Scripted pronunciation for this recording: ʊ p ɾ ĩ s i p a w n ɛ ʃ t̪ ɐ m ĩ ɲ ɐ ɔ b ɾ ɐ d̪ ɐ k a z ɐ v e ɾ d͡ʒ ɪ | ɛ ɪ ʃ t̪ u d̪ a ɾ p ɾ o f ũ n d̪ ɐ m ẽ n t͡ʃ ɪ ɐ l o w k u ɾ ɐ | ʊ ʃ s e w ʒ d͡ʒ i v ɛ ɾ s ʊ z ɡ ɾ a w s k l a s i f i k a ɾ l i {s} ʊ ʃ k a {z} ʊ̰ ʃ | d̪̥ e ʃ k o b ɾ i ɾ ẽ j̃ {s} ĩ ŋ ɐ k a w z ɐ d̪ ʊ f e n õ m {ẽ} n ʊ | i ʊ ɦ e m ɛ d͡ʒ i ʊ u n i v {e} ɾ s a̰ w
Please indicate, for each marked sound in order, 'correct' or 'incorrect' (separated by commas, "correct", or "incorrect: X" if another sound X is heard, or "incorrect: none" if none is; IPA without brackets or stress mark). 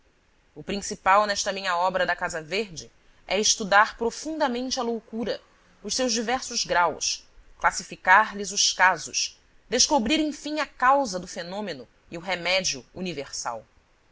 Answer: incorrect: z, correct, incorrect: f, incorrect: e, correct